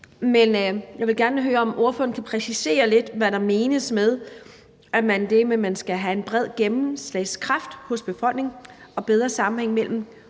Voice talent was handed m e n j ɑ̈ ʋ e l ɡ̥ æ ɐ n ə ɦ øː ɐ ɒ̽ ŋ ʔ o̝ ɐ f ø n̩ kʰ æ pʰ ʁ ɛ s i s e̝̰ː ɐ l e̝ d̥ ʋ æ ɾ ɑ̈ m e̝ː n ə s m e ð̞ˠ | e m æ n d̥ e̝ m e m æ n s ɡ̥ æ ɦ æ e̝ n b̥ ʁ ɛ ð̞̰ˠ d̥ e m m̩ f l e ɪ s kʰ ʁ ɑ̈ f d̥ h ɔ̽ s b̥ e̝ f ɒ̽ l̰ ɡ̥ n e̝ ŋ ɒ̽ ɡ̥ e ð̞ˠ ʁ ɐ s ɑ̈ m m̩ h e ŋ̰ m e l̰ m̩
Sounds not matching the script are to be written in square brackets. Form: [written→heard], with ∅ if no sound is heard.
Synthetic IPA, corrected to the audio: m e n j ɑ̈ ʋ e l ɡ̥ æ ɐ n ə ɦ øː ɐ ɒ̽ [ŋ→m] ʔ o̝ ɐ f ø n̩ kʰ æ pʰ ʁ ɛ s i s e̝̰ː ɐ l e̝ d̥ ʋ æ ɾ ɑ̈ m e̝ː n ə s m e ð̞ˠ | [e→æ] m æ n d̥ e̝ m e m æ n s ɡ̥ æ ɦ æ e̝ n b̥ ʁ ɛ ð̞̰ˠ [d̥→ɡ̥] e m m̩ [f→s] l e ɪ s kʰ ʁ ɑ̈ f d̥ h ɔ̽ s b̥ e̝ f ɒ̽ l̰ ɡ̥ n e̝ ŋ ɒ̽ [ɡ̥→b̥] e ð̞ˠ ʁ ɐ s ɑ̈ m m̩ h e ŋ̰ m e l̰ m̩